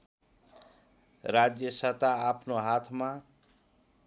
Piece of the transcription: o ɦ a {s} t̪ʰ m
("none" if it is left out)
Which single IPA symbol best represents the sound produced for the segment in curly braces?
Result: none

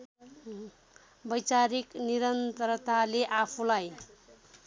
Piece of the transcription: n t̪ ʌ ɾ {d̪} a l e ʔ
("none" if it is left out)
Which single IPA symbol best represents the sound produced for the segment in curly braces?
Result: t̪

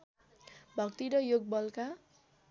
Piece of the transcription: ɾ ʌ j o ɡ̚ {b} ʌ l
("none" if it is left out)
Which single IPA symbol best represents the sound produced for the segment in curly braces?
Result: b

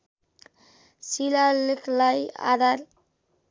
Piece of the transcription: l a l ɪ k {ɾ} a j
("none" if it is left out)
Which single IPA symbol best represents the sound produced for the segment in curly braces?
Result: l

